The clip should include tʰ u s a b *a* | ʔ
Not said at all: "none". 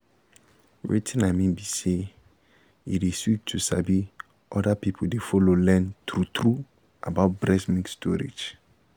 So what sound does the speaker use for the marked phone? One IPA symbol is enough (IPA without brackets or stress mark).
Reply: i